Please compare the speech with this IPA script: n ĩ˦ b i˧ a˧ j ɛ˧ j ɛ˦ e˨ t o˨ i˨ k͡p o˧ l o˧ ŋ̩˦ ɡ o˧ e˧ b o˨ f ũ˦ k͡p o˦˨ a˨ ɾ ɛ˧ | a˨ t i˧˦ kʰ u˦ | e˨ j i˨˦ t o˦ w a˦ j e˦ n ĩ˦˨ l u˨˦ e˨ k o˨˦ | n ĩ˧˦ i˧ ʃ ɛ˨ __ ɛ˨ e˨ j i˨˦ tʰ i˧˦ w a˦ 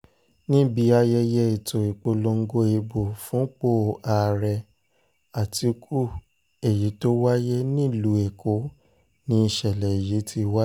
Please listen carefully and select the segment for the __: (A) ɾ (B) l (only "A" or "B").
B